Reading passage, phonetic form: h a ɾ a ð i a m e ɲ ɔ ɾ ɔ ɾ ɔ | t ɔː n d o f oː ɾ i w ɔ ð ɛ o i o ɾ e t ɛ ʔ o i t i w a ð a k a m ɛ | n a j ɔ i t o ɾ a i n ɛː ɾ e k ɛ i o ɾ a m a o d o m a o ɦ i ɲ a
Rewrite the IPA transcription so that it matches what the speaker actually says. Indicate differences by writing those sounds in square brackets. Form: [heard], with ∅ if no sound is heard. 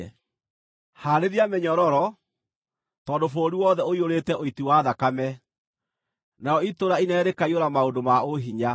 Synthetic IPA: h a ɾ [e] ð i a m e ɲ ɔ ɾ ɔ ɾ ɔ | t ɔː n d o f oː ɾ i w ɔ ð ɛ o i o ɾ e t ɛ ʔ o i t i w a ð a k a m ɛ | n a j ɔ i t o ɾ a i n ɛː ɾ e k [a] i o ɾ a m a o d o m a o ɦ i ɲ a